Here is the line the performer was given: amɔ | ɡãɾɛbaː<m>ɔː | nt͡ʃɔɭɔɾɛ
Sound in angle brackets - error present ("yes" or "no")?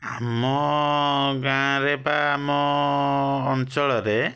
no